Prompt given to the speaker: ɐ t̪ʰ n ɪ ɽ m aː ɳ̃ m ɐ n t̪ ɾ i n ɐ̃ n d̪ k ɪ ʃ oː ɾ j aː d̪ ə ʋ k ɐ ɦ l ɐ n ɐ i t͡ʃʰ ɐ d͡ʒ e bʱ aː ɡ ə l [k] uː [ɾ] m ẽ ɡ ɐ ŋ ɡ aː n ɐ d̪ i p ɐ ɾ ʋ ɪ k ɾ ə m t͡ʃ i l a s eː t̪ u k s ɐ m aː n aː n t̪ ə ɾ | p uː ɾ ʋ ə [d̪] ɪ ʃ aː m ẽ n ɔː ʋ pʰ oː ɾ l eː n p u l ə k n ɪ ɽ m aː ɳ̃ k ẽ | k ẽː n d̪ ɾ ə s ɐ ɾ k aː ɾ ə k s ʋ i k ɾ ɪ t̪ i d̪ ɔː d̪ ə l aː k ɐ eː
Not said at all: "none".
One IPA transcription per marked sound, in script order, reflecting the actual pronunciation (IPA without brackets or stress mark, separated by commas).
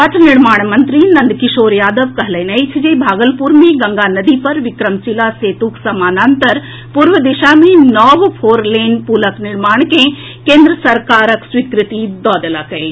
p, ɾ, d̪